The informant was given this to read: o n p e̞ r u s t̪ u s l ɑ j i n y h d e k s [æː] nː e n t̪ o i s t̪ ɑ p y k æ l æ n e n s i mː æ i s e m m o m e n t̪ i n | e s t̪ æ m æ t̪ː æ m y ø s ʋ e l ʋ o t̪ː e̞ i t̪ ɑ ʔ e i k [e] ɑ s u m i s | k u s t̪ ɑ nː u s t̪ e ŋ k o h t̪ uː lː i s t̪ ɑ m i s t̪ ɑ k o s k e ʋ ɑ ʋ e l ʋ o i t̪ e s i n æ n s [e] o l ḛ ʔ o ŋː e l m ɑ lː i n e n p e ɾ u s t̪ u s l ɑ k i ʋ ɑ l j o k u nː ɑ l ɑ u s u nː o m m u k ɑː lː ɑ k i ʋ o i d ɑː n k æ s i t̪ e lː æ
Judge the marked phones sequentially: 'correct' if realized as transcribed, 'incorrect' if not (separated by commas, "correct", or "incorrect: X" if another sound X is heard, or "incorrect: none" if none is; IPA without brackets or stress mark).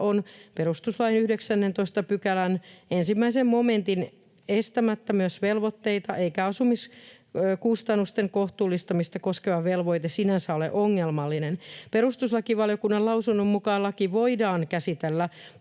incorrect: æ, incorrect: æ, incorrect: æ